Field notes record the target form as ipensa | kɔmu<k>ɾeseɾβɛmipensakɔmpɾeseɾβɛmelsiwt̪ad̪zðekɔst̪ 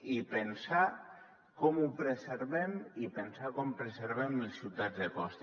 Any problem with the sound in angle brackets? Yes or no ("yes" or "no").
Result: yes